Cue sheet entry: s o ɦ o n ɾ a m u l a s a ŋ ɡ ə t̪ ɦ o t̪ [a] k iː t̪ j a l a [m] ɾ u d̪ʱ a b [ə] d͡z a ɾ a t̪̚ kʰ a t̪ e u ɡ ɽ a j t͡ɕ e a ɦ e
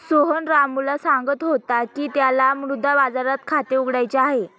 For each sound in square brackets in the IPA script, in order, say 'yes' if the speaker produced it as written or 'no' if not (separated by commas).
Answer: yes, yes, no